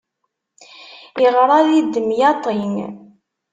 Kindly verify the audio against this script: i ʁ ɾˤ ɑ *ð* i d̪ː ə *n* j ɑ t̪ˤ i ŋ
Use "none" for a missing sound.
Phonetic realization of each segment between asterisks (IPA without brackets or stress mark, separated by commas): ð, m